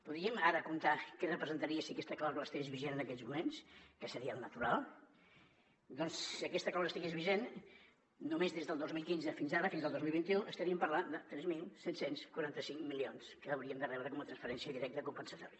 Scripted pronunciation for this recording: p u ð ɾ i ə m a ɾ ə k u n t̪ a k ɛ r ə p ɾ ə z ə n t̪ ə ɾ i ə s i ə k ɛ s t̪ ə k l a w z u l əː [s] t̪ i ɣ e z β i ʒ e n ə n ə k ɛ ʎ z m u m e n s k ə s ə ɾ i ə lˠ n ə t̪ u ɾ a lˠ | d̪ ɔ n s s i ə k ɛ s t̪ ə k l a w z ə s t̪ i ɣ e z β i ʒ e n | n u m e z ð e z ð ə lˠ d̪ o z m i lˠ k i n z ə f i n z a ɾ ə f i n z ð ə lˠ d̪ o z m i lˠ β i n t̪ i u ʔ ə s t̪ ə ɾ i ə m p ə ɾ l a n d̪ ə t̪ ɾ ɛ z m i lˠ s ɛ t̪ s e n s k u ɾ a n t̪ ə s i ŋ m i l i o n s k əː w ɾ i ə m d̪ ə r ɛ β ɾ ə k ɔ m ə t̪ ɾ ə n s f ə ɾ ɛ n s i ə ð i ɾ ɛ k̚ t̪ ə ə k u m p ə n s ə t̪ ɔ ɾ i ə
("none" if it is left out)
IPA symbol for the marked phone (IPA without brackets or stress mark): s